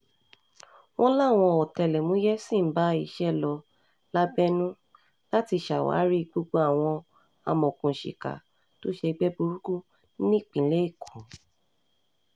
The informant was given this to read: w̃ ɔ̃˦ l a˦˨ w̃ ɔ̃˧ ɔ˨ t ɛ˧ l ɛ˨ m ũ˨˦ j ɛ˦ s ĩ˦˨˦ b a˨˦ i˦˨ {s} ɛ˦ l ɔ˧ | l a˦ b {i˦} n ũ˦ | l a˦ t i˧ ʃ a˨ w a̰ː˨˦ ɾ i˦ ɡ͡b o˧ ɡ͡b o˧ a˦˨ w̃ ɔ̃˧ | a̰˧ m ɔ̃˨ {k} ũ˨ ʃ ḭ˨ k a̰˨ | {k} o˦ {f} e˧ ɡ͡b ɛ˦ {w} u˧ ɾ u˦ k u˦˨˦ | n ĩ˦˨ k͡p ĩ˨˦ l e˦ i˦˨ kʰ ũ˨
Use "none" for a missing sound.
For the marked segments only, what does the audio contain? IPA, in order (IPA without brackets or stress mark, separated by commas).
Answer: ʃ, ɛ˦, k, t, ʃ, b